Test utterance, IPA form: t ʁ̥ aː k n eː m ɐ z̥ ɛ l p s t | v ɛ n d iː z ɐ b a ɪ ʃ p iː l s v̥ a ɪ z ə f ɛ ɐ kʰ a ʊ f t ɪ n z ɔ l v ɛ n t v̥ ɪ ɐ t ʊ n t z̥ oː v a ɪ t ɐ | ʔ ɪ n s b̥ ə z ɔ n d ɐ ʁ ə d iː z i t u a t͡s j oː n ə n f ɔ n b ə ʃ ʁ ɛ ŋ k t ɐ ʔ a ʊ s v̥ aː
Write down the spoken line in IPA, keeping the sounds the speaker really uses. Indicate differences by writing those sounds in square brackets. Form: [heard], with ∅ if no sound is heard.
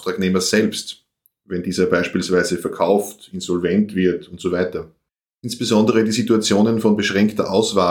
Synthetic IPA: t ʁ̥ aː k n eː m ɐ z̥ ɛ l p s t | v ɛ n d iː z ɐ b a ɪ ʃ p iː l s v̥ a ɪ z ə f ɛ ɐ kʰ a ʊ f t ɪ n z ɔ l v ɛ n t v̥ ɪ ɐ t ʊ n t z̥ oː v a ɪ t ɐ | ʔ ɪ n s b̥ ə z ɔ n d [ə] ʁ ə d iː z i t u a t͡s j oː n ə n f ɔ n b ə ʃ ʁ ɛ ŋ k t ɐ ʔ a ʊ s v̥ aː